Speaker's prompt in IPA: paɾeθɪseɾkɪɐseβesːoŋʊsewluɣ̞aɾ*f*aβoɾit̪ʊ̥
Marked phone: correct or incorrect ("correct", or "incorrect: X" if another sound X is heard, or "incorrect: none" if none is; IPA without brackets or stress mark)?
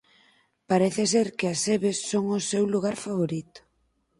correct